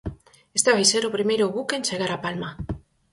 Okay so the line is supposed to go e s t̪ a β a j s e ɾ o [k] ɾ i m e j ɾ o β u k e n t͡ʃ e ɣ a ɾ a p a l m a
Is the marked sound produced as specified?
no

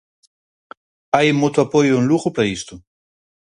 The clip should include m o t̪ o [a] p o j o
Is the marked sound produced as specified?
yes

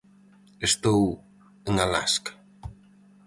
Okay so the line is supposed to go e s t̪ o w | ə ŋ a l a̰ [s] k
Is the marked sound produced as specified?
yes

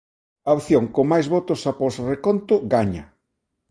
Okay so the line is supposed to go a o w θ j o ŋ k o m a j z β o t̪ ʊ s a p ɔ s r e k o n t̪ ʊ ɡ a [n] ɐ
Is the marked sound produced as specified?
no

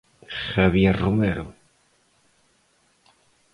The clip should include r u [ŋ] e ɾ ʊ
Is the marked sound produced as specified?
no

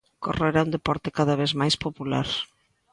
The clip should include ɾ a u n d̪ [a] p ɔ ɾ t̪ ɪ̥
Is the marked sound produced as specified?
no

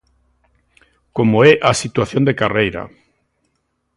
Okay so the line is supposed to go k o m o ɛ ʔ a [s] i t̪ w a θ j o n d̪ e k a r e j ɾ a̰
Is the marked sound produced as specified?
yes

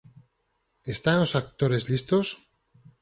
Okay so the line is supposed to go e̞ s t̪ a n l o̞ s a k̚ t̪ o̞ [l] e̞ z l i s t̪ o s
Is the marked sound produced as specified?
no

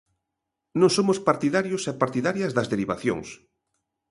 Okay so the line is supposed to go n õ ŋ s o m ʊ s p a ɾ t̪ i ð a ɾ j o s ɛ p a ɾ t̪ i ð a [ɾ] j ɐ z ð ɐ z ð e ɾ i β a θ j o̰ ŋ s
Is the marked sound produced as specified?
yes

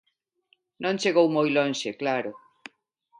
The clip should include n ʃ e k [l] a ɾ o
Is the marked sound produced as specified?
yes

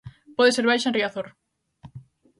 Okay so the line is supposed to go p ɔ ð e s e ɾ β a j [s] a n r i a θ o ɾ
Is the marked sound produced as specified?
no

